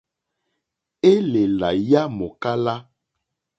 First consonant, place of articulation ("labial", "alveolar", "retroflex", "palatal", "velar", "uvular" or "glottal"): alveolar